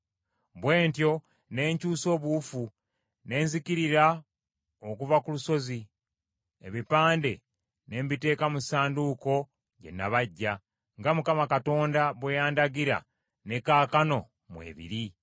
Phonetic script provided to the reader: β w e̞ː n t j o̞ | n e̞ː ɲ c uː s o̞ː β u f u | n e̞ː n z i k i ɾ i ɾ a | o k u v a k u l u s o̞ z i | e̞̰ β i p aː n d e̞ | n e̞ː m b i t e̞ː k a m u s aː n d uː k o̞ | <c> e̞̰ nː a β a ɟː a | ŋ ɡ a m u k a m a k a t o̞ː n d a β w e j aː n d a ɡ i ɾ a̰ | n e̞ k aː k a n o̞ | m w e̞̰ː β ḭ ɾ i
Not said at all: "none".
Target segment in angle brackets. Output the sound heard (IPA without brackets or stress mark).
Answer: ɟ